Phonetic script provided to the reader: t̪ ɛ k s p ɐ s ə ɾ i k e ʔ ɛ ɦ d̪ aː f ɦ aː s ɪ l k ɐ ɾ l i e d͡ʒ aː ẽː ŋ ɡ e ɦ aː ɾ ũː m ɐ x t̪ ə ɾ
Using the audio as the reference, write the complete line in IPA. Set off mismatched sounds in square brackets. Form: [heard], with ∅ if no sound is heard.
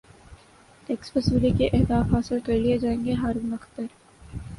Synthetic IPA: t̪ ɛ k s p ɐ s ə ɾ i k e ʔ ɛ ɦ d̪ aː f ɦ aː s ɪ l k ɐ ɾ l i e d͡ʒ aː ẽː ŋ ɡ e ɦ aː ɾ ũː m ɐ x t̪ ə ɾ